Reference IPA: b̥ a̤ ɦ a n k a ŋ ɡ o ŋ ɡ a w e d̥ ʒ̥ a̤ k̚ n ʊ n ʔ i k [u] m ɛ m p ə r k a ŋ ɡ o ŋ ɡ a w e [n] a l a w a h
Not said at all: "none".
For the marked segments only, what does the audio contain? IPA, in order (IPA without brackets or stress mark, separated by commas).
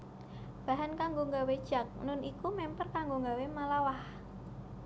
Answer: u, m